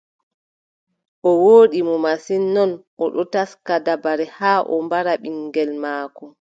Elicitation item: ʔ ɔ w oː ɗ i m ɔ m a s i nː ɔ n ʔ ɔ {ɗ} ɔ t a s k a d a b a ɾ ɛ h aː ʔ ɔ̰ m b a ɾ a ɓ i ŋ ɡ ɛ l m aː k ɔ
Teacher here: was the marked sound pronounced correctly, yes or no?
yes